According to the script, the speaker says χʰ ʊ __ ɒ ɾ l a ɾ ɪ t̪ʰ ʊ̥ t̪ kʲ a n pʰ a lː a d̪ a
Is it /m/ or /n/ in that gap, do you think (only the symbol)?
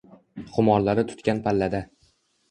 m